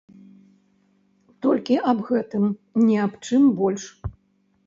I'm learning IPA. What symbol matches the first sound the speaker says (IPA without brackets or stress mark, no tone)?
t̪